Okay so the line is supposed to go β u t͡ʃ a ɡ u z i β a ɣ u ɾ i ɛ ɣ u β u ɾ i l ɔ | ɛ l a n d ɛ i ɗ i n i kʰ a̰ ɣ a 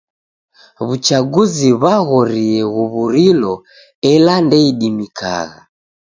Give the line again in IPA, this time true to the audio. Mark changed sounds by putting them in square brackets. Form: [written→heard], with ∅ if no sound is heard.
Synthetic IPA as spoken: β u t͡ʃ a ɡ u z i β a ɣ [u→ɔ] ɾ i ɛ ɣ u β u ɾ i l ɔ | ɛ l a n d ɛ i ɗ i [n→m] i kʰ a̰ ɣ a